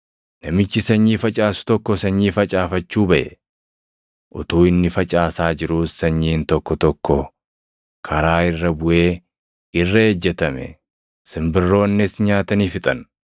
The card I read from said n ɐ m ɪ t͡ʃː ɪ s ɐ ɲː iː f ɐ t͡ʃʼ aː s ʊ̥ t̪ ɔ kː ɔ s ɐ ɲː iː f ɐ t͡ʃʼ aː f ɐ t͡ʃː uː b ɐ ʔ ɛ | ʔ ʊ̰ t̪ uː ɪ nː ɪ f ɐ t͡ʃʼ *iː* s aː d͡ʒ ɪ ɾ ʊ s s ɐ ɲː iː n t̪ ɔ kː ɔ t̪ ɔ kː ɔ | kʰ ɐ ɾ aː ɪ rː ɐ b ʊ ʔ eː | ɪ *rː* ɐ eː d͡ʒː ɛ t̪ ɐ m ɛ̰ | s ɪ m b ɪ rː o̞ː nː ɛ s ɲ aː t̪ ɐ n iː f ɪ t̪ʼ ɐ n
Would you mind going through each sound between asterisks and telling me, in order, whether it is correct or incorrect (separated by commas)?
incorrect, correct